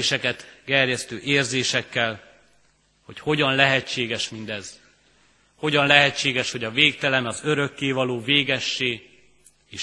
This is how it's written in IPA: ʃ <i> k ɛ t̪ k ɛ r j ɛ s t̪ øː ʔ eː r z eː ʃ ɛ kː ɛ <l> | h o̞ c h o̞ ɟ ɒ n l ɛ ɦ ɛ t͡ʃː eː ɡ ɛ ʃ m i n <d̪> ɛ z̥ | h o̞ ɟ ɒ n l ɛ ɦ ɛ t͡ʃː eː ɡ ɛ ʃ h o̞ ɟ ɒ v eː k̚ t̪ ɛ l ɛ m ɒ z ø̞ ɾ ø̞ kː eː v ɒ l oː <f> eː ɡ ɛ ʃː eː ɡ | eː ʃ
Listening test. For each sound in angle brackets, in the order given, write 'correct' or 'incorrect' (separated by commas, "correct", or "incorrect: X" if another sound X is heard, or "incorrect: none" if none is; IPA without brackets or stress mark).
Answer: incorrect: ɛ, correct, correct, incorrect: v